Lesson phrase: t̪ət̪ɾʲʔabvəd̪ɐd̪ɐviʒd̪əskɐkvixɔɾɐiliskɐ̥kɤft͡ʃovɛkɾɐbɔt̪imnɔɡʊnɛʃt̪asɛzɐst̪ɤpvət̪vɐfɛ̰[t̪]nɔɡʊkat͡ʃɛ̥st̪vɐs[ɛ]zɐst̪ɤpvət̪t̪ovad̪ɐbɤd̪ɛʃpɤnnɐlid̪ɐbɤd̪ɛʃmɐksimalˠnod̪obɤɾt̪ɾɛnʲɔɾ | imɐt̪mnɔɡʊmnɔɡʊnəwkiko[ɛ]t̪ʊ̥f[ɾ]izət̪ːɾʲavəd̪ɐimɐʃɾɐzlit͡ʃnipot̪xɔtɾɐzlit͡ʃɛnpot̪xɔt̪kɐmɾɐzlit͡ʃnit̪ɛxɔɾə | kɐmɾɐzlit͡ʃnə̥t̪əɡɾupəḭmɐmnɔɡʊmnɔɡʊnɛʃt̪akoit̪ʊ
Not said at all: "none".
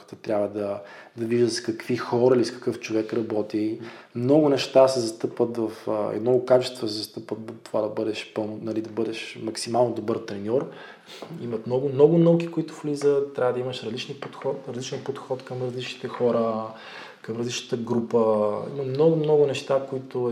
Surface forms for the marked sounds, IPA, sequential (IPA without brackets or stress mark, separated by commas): d̪, ɛ, i, l